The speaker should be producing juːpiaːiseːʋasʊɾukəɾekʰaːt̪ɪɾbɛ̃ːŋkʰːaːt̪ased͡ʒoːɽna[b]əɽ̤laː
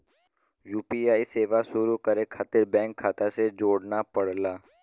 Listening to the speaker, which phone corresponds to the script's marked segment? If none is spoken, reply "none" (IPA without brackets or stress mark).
p